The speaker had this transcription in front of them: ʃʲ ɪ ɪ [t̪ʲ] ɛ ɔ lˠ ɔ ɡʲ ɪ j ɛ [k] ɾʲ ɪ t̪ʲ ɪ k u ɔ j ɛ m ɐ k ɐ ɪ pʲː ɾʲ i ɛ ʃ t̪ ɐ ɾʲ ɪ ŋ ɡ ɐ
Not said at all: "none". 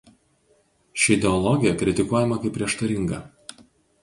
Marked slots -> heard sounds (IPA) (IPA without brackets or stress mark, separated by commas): d̪ʲ, k